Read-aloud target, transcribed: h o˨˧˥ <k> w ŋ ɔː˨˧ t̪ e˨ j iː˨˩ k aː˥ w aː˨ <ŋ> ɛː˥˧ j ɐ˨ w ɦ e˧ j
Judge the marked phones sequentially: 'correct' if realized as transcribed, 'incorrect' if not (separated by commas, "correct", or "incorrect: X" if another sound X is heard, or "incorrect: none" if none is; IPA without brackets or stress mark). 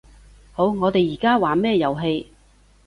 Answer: incorrect: none, incorrect: m